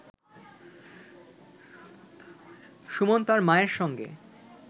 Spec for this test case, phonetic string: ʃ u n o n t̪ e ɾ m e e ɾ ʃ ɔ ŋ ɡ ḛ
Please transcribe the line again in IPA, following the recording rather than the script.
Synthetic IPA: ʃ u m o n t̪ a ɾ m a e ɾ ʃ ɔ ŋ ɡ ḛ